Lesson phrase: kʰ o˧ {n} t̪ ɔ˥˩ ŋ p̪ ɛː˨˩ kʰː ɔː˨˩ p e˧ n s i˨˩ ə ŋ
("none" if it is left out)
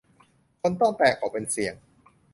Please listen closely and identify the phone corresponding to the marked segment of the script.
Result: n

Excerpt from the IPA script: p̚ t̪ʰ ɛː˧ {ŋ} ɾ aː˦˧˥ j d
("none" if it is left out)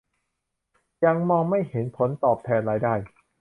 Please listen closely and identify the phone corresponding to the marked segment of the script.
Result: n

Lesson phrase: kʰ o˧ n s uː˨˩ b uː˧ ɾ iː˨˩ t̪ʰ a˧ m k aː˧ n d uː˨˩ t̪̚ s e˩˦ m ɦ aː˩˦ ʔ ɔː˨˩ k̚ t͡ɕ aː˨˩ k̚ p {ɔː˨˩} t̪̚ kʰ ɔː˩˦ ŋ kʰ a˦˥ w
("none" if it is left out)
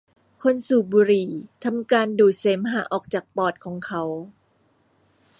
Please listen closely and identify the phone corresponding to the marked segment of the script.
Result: ɔː˨˩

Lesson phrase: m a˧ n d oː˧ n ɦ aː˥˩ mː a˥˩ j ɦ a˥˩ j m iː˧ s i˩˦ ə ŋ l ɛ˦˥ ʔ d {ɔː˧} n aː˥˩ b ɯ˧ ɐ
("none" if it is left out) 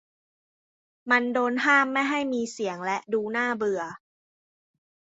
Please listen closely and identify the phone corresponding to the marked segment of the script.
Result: uː˧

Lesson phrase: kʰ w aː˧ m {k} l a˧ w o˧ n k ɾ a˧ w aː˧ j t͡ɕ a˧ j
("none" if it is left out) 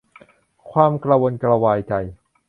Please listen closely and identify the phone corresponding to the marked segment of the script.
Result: k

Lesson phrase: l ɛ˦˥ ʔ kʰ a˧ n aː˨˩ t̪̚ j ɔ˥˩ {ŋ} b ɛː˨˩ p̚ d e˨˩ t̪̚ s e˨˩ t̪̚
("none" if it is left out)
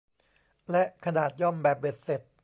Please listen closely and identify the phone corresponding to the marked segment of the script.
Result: m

